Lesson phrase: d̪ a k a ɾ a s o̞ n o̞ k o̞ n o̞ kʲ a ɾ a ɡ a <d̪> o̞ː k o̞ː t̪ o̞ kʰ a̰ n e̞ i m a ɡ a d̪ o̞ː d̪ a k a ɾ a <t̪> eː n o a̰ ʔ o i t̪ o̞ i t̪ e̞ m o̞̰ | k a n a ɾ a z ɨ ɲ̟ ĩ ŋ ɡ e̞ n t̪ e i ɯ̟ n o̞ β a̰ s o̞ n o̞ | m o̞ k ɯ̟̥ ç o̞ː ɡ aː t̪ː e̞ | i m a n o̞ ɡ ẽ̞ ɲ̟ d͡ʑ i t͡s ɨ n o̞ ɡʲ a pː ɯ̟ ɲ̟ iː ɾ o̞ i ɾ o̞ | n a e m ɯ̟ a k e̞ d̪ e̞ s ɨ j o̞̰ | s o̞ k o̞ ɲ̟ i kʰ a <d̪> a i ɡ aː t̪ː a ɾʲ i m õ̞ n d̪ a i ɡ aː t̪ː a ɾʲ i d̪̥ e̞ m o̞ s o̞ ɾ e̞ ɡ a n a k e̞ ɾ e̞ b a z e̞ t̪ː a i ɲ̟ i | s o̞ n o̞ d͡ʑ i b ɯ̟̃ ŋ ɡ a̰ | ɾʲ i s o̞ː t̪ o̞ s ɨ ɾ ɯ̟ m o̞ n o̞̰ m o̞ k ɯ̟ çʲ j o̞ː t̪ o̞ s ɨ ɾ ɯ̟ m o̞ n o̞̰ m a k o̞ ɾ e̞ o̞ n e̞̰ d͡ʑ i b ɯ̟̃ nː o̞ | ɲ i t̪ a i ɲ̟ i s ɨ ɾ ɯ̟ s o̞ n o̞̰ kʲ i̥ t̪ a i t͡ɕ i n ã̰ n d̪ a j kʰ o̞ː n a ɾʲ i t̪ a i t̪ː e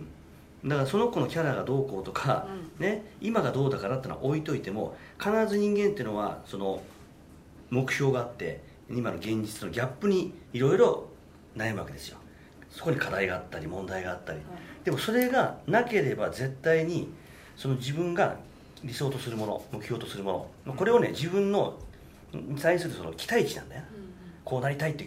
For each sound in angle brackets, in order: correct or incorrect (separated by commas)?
correct, correct, correct